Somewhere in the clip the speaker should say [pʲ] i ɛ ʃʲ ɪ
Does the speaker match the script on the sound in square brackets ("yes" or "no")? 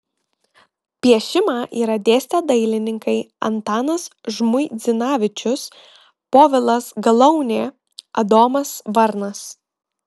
yes